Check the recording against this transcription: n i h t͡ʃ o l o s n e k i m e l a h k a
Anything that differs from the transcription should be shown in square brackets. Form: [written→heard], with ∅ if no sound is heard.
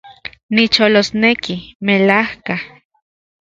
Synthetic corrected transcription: n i [h→∅] t͡ʃ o l o s n e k i m e l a h k a